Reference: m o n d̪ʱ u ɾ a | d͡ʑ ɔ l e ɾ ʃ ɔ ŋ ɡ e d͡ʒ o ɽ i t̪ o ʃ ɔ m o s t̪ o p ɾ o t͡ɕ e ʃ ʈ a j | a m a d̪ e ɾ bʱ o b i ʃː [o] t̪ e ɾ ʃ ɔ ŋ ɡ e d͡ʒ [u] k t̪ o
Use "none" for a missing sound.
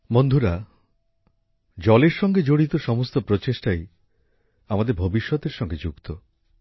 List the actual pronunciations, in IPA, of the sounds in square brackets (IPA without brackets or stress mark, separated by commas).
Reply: ɔ, u